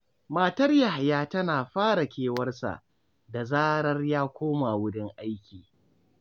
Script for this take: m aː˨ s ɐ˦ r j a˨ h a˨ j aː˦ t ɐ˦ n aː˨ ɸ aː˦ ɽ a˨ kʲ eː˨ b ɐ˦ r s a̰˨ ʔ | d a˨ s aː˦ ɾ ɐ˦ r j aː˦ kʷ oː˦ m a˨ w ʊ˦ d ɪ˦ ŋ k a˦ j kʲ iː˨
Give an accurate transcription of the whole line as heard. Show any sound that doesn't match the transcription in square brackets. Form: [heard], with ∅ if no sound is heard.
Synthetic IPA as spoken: m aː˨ [t] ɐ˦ r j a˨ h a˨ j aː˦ t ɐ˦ n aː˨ ɸ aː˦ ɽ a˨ kʲ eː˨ [w] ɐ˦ r s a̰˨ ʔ | d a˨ [z] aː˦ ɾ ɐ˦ r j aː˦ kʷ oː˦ m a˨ w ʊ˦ d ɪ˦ ŋ [ʔ] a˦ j kʲ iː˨